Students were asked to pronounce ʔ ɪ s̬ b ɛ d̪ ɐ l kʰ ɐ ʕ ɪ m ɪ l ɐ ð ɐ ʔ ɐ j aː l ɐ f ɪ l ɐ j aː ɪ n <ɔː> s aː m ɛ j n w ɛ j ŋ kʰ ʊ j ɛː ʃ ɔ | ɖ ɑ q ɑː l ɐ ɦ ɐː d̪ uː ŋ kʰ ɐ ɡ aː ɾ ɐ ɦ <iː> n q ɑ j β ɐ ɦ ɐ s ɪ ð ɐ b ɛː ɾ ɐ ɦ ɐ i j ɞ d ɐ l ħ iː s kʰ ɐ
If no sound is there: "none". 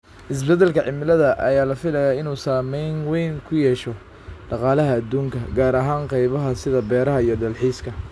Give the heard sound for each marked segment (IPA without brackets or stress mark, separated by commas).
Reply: uː, aː